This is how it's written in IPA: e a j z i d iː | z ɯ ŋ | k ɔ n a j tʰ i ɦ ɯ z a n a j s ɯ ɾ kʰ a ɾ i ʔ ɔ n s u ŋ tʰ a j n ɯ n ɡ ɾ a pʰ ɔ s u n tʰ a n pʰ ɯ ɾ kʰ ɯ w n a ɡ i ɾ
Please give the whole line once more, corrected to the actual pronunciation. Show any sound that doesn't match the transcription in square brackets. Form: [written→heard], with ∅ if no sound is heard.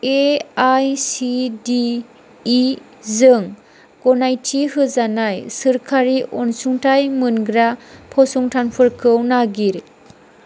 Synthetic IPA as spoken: e a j [z→s] i d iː | z ɯ ŋ | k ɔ n a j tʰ i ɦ ɯ z a n a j s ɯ ɾ kʰ a ɾ i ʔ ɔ n s u ŋ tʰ a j [n→m] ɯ n ɡ ɾ a pʰ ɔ s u [n→ŋ] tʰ a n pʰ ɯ ɾ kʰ ɯ w n a ɡ i ɾ

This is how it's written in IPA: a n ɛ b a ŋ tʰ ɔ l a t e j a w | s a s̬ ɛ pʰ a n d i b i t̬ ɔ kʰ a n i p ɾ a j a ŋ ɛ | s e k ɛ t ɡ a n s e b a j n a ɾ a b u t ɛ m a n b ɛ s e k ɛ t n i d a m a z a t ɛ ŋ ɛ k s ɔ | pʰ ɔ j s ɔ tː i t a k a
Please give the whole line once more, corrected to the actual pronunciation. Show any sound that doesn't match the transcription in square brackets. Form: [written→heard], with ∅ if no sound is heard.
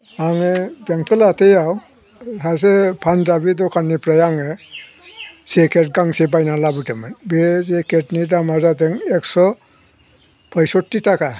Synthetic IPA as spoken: a [n→ŋ] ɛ b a ŋ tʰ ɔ l a t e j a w | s a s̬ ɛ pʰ a n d [i→a] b i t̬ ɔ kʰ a n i p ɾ a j a ŋ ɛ | s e k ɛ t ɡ a [n→ŋ] s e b a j n a [ɾ→l] a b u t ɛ m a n b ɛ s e k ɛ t n i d a m a z a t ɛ ŋ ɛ k s ɔ | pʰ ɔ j s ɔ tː i t a k a

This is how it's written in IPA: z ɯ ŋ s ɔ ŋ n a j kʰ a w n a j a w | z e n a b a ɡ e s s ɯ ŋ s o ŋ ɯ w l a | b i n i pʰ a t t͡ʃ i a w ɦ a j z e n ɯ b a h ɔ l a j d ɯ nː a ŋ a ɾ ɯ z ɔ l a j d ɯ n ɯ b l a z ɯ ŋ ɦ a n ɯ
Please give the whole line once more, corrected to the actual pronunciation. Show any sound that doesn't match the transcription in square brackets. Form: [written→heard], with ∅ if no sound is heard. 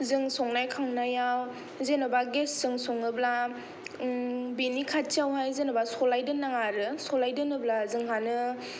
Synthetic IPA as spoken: z ɯ ŋ s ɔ ŋ n a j kʰ a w n a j a w | z e n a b a ɡ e s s ɯ ŋ s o ŋ ɯ [w→b] l a | b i n i [pʰ→kʰ] a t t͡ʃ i a w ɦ a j z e n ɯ b a [h→s] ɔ l a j d ɯ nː a ŋ a ɾ ɯ [z→s] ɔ l a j d ɯ n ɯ b l a z ɯ ŋ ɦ a n ɯ

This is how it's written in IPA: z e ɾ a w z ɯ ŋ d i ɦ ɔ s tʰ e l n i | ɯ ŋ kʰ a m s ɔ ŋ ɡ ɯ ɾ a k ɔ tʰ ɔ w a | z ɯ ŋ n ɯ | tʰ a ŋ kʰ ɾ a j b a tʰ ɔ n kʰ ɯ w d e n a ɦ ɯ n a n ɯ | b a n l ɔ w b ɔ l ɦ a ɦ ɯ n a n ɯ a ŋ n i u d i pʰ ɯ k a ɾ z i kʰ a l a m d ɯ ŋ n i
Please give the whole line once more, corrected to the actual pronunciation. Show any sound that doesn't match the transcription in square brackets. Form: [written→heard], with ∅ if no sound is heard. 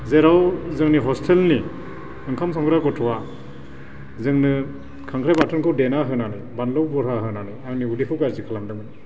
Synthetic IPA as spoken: z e ɾ a w z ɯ ŋ [d→n] i ɦ ɔ s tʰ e l n i | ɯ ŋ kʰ a m s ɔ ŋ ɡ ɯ ɾ a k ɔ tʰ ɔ w a | z ɯ ŋ n ɯ | [tʰ→kʰ] a ŋ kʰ ɾ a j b a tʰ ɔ n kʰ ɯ w d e n a ɦ ɯ n a n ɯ | b a n l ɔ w b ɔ [l→ɾ] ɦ a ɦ ɯ n a n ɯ a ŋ n i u d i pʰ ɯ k a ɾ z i kʰ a l a m d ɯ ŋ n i

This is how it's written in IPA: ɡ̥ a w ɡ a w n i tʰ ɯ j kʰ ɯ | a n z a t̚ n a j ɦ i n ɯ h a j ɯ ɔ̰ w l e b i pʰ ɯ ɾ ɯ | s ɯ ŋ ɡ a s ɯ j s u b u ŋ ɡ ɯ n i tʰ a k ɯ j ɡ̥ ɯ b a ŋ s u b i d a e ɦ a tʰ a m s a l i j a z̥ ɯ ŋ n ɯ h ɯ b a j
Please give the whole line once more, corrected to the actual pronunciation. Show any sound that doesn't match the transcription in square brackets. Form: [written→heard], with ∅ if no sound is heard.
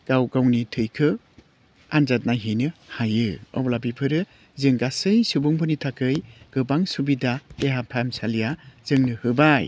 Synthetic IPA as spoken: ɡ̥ a w ɡ a w n i tʰ ɯ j kʰ ɯ | a n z a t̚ n a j ɦ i n ɯ h a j ɯ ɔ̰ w l [e→a] b i pʰ ɯ ɾ ɯ | [s→z] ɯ ŋ ɡ a s ɯ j s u b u ŋ [ɡ→b] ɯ n i tʰ a k ɯ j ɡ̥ ɯ b a ŋ s u b i d a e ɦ a [tʰ→pʰ] a m s a l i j a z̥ ɯ ŋ n ɯ h ɯ b a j

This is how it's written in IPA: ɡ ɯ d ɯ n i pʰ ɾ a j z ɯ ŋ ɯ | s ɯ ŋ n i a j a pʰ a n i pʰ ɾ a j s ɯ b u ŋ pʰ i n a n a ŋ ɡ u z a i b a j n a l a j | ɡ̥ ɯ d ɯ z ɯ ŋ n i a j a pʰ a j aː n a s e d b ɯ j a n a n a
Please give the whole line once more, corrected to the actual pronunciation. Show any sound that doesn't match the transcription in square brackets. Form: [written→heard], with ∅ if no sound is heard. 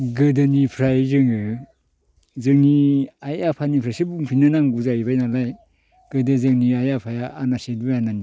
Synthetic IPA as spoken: ɡ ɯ d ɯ n i pʰ ɾ a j z ɯ ŋ ɯ | [s→z] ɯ ŋ n i a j a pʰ a n i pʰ ɾ a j s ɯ b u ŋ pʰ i n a n a ŋ ɡ u z a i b a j n a l a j | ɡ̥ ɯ d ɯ z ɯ ŋ n i a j a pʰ a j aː n a s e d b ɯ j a n a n [a→i]

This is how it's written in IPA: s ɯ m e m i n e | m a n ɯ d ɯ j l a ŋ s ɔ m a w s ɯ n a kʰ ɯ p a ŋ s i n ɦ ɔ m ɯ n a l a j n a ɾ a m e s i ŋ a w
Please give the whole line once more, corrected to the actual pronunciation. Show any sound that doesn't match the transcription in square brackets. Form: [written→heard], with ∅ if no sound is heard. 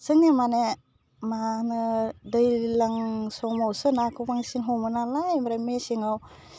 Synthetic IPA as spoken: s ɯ [m→ŋ] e m [i→a] n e | m a n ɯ d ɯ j l a ŋ s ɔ m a w s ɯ n a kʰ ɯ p a ŋ s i n ɦ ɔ m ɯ n a l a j [n→m] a ɾ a m e s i ŋ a w

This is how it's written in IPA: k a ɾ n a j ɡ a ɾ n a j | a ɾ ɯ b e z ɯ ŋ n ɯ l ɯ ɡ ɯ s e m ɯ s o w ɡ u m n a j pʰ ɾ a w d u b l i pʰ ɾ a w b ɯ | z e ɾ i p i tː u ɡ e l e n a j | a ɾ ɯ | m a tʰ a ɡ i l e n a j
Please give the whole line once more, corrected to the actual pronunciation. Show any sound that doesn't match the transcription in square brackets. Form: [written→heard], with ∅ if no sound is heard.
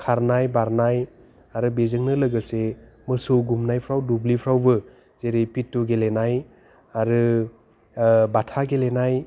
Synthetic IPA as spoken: [k→kʰ] a ɾ n a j [ɡ→b] a ɾ n a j | a ɾ ɯ b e z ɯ ŋ n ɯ l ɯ ɡ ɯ s e m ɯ s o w ɡ u m n a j pʰ ɾ a w d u b l i pʰ ɾ a w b ɯ | z e ɾ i p i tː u ɡ e l e n a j | a ɾ ɯ | [m→b] a tʰ a ɡ [i→e] l e n a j

